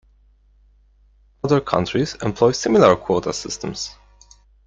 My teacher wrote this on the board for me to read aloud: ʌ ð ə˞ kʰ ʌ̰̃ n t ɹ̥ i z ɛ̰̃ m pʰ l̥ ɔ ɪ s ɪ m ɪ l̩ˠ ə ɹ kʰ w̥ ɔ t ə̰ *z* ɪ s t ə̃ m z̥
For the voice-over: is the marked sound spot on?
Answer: no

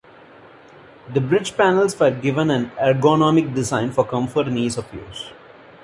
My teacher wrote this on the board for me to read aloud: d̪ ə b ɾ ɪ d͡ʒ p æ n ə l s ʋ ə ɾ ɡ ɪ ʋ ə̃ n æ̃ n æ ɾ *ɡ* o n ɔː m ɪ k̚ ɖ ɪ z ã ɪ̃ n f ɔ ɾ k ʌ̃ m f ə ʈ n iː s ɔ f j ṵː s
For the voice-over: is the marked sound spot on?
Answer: yes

